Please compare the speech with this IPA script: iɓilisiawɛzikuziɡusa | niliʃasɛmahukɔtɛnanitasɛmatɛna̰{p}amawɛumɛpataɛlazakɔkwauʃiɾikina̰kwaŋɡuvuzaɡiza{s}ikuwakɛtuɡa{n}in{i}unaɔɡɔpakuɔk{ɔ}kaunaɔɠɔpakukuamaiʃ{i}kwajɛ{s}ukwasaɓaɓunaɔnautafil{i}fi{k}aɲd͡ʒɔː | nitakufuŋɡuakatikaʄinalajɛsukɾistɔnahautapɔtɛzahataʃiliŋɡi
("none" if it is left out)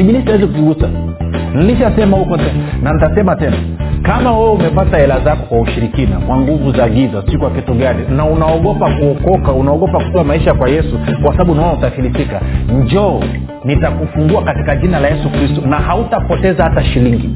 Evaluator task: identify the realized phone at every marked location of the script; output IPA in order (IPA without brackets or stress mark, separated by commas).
k, s, n, a, ɔ, a, s, i, k